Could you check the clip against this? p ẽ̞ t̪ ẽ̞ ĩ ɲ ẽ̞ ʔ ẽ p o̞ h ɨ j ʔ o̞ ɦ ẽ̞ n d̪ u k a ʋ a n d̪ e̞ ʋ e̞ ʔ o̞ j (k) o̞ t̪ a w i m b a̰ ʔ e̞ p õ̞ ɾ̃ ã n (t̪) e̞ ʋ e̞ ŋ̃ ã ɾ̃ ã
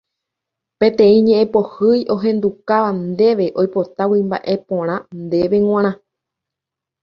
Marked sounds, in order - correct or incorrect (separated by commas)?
incorrect, incorrect